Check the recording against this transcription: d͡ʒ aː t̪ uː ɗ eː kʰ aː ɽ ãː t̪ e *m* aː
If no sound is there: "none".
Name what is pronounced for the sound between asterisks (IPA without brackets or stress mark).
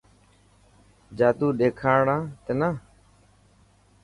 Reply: n